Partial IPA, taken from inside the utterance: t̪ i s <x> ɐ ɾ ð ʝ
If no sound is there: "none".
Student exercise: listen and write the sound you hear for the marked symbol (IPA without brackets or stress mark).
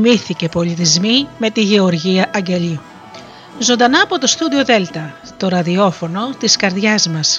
k